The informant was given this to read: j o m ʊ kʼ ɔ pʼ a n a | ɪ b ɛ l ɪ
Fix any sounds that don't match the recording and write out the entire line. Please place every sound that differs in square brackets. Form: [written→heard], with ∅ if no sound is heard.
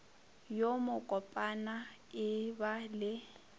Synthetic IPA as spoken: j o m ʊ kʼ ɔ pʼ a n a | ɪ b [ɛ→a] l ɪ